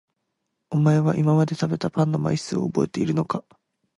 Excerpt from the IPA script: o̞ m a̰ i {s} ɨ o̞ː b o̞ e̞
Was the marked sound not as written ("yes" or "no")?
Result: no